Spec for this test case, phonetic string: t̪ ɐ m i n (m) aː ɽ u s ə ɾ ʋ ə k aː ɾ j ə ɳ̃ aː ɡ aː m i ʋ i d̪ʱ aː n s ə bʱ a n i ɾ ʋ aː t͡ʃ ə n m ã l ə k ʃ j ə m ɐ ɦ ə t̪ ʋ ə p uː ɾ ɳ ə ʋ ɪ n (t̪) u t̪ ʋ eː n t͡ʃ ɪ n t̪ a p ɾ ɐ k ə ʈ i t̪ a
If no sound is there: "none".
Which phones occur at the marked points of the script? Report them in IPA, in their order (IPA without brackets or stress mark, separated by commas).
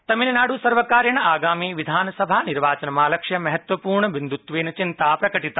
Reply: n, d̪